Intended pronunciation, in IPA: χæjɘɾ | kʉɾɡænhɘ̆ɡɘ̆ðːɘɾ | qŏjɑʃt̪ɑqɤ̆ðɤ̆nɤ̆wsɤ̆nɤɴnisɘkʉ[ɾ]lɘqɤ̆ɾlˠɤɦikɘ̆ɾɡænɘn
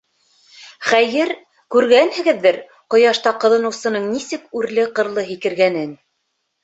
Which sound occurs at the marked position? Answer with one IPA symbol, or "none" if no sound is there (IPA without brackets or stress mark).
ɾ